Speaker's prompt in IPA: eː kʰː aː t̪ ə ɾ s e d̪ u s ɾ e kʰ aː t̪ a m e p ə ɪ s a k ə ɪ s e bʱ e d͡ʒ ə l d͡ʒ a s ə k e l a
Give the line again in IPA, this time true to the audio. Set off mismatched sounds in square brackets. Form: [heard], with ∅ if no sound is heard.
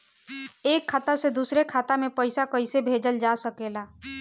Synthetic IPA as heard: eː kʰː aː t̪ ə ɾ s e d̪ u s ɾ e kʰ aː t̪ a m e p ə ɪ s a k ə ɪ s e bʱ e d͡ʒ ə l d͡ʒ a s ə k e l a